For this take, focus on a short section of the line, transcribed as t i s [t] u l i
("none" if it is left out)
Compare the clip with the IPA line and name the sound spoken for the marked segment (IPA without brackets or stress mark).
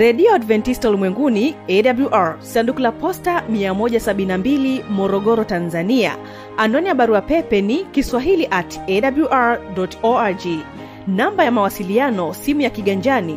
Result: t